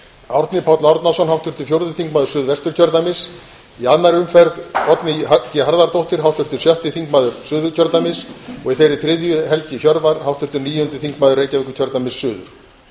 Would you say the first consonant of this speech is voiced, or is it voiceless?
voiced